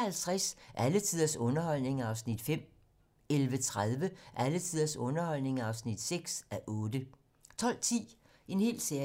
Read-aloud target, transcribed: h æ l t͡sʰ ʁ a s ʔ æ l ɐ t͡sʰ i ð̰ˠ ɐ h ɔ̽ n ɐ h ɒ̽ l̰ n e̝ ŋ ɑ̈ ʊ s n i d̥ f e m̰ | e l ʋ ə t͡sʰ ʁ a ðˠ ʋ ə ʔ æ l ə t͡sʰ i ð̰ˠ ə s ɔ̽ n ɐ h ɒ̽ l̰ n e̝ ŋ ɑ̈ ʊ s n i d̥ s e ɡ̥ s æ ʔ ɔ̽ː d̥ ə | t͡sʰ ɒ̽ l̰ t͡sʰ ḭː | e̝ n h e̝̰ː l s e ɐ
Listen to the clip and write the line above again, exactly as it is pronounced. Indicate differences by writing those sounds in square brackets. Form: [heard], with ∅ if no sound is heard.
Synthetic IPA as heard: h æ l t͡sʰ ʁ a s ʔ æ l [ə] t͡sʰ i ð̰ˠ ɐ [s] ɔ̽ n ɐ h ɒ̽ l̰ n e̝ ŋ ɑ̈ ʊ s n i d̥ f e m̰ | e l ʋ ə t͡sʰ ʁ a ðˠ ʋ ə ʔ æ l ə t͡sʰ i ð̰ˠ [ɐ] s ɔ̽ n ɐ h ɒ̽ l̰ n e̝ ŋ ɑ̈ ʊ s n i d̥ s e ɡ̥ s æ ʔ ɔ̽ː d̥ ə | t͡sʰ ɒ̽ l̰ t͡sʰ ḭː | e̝ n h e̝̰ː l s e ɐ

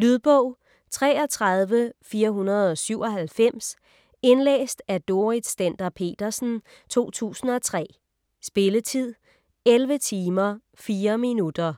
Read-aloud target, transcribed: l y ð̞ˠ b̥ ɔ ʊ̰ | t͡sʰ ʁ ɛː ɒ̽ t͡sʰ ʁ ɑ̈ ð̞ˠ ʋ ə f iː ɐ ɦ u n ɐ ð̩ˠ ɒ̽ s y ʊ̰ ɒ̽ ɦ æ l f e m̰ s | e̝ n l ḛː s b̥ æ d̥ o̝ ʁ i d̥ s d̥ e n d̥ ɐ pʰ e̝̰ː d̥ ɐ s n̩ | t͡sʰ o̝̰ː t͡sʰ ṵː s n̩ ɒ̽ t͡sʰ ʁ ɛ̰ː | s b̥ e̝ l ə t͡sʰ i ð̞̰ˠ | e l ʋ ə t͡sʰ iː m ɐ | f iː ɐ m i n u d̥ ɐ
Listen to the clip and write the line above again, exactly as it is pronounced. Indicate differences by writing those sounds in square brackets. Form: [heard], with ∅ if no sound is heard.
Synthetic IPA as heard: l y ð̞ˠ b̥ ɔ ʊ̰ | t͡sʰ ʁ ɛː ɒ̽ t͡sʰ ʁ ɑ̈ ð̞ˠ ʋ ə f iː ɐ ɦ u n ɐ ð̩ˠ ɒ̽ s y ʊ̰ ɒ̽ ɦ æ l f e m̰ s | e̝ n l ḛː s [d̥] æ d̥ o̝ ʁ i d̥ s d̥ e n d̥ ɐ pʰ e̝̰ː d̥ ɐ s n̩ | t͡sʰ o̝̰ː t͡sʰ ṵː s n̩ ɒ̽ t͡sʰ ʁ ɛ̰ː | s b̥ e̝ l ə t͡sʰ i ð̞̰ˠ | e l ʋ ə t͡sʰ iː m ɐ | f iː ɐ m i n u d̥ ɐ

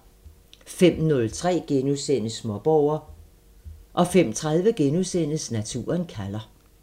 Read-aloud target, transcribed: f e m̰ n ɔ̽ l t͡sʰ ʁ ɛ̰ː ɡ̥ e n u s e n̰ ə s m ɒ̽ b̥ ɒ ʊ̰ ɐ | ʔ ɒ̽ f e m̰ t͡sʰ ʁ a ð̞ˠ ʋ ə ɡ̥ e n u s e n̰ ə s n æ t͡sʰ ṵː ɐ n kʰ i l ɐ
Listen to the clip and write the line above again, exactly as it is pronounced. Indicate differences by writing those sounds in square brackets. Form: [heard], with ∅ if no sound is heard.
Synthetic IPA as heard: f e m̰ n ɔ̽ l t͡sʰ ʁ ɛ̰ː ɡ̥ e n u s e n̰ ə s m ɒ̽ b̥ ɒ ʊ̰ ɐ | ʔ ɒ̽ f e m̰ t͡sʰ ʁ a ð̞ˠ ʋ ə ɡ̥ e n u s e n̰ ə s n æ t͡sʰ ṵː ɐ n kʰ [æ] l ɐ

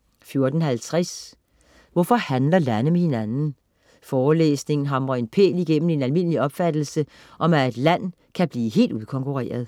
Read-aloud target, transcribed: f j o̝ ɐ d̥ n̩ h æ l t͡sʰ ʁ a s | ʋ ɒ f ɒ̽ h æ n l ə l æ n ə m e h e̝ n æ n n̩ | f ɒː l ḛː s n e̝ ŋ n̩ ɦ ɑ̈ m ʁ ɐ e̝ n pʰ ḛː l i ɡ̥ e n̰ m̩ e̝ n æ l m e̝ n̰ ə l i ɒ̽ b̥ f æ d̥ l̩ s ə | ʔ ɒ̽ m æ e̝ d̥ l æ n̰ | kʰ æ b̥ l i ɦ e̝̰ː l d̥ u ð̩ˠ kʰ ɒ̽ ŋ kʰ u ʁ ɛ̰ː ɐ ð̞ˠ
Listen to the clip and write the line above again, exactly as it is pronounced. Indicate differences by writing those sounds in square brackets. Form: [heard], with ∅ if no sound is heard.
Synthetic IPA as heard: f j o̝ ɐ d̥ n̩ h æ l t͡sʰ ʁ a s | ʋ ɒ f ɒ̽ h æ n l [ɐ] l æ n ə m e h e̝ n æ n n̩ | f ɒː l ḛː s n e̝ ŋ n̩ ɦ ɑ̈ m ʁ ɐ e̝ n pʰ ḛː l i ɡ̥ e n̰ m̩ e̝ n æ l m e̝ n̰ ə l i ɒ̽ b̥ f æ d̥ l̩ s ə | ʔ ɒ̽ m æ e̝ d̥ l æ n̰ | kʰ æ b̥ l [iː] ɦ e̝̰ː l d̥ u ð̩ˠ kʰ ɒ̽ ŋ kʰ u ʁ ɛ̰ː ɐ ð̞ˠ

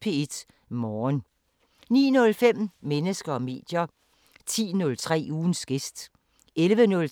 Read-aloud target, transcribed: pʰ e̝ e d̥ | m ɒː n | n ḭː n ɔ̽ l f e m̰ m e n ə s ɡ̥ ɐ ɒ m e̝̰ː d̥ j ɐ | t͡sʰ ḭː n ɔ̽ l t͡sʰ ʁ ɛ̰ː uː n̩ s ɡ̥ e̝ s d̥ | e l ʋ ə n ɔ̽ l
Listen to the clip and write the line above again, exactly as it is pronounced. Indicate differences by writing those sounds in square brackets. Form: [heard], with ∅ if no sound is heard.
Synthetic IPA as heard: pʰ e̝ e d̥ | m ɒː n | n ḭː n ɔ̽ l f e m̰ m e n ə s ɡ̥ ɐ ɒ m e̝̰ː d̥ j ɐ | t͡sʰ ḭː n ɔ̽ l t͡sʰ ʁ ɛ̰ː uː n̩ s ɡ̥ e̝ s d̥ | e l ʋ ə n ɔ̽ l

